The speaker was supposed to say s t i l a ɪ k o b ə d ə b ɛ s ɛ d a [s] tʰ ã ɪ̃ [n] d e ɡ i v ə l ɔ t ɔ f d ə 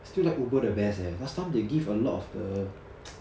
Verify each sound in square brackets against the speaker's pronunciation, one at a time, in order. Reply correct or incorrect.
correct, incorrect: m

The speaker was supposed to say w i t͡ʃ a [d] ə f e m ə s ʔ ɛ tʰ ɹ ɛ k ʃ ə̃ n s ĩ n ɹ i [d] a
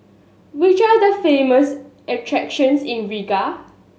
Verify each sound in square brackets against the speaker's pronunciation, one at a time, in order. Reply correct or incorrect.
correct, incorrect: ɡ

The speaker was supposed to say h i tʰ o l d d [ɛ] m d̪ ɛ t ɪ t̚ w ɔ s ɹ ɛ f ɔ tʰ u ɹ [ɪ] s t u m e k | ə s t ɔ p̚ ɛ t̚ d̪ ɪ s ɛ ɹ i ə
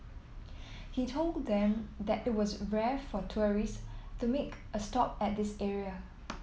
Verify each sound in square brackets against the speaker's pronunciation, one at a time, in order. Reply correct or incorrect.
incorrect: ɛ̃, incorrect: i

